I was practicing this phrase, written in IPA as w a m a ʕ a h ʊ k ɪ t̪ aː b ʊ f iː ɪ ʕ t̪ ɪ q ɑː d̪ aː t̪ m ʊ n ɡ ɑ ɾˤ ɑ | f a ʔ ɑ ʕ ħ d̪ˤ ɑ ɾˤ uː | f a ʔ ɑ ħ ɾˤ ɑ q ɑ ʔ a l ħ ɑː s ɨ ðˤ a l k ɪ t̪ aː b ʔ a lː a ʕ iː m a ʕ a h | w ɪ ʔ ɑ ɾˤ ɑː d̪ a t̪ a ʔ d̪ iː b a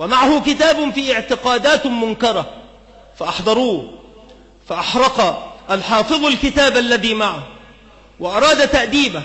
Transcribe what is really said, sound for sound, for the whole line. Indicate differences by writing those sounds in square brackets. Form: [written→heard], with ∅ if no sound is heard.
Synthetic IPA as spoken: w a m a ʕ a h ʊ k ɪ t̪ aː b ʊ f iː ɪ ʕ t̪ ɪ q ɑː d̪ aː t̪ m ʊ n [ɡ→k] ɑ ɾˤ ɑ | f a ʔ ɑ [ʕ→∅] ħ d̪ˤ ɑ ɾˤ uː | f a ʔ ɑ ħ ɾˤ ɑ q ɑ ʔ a l ħ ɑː [s→f] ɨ ðˤ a l k ɪ t̪ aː b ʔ a lː a [ʕ→ð] iː m a ʕ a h | w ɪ ʔ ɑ ɾˤ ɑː d̪ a t̪ a ʔ d̪ iː b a